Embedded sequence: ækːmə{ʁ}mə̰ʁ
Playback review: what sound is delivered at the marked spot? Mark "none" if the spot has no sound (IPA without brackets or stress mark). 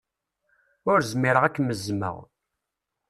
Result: z